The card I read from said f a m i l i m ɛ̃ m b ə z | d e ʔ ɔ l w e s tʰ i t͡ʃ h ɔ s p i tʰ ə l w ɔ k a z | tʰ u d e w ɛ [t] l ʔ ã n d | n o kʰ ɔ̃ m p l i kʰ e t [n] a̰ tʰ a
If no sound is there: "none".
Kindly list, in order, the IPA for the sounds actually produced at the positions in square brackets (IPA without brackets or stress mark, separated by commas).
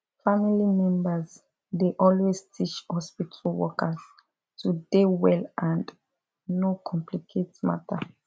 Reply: none, m